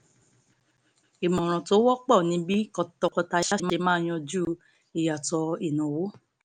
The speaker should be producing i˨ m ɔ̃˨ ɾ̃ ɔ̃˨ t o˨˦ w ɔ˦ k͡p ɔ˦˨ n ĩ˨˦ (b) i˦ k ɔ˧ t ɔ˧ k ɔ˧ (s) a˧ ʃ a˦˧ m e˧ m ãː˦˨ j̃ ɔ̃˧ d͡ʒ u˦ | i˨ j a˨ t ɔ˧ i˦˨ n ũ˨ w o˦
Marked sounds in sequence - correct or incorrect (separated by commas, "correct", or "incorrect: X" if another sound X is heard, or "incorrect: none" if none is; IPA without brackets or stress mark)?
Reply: correct, incorrect: t